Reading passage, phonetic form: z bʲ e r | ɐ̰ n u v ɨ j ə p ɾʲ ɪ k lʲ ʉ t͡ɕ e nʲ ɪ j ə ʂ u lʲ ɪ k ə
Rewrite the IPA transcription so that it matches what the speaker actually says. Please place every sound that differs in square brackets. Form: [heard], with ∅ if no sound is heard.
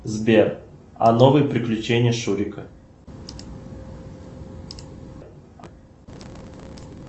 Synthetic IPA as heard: z bʲ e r | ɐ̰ n [o] v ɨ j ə p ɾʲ ɪ k lʲ ʉ t͡ɕ e nʲ ɪ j ə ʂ u [ɾʲ] ɪ k ə